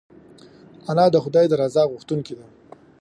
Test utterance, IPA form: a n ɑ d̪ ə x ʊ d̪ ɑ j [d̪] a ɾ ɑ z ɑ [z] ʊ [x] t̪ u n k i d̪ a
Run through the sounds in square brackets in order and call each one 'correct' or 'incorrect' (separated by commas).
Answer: correct, incorrect, correct